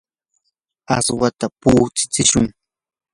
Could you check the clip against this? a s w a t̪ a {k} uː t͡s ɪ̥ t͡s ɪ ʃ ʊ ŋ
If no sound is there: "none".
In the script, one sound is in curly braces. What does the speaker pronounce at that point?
p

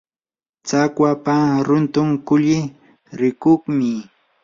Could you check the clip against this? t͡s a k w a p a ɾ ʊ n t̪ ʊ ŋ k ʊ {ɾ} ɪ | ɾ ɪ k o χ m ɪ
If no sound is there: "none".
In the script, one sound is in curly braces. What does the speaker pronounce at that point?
ʎ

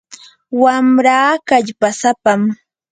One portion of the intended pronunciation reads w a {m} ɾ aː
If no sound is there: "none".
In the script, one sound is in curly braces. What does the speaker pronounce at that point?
m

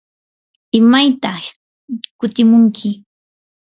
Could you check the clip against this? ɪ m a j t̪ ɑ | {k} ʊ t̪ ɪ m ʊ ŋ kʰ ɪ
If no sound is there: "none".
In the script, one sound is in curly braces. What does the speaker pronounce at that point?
k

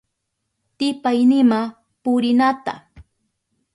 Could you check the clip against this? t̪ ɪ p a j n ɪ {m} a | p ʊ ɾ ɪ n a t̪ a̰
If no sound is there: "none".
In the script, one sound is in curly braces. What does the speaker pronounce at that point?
m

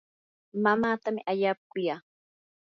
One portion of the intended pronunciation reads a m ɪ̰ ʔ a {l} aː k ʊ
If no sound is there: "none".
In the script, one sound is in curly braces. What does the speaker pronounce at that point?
ʎ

